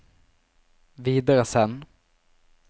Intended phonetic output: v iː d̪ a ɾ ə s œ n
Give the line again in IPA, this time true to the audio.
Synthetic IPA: v iː d̪ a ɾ ə s ɛ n